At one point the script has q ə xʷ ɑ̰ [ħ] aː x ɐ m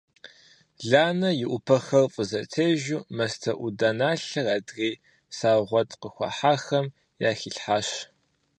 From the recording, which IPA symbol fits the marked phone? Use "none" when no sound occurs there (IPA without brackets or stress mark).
ħ